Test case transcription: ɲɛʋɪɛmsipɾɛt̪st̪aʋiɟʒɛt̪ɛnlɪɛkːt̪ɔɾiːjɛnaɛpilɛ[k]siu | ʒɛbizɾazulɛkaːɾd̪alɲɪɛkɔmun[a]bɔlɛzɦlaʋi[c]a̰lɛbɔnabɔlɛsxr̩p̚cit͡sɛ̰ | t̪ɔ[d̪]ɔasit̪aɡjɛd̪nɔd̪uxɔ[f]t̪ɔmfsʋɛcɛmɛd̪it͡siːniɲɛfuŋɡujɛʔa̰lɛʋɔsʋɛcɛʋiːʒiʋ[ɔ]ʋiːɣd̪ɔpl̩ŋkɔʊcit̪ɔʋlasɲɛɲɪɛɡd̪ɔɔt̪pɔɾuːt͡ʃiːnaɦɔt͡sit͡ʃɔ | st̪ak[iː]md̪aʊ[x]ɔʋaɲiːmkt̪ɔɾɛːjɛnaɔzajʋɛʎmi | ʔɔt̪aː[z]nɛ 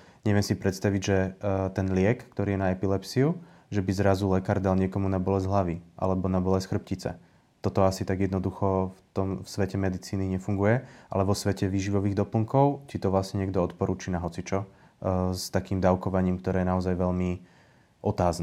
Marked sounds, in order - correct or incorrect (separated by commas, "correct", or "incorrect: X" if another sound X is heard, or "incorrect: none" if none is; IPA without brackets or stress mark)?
incorrect: p, correct, incorrect: ʔ, incorrect: t̪, correct, correct, correct, incorrect: k, correct